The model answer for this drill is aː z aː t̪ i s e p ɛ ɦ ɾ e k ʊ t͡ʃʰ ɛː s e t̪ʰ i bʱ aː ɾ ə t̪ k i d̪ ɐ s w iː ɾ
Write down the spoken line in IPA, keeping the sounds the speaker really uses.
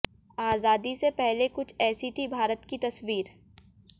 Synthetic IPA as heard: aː z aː d̪ i s e p ɛ ɦ l e k ʊ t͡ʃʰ ɛː s i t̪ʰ i bʱ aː ɾ ə t̪ k i t̪ ɐ s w iː ɾ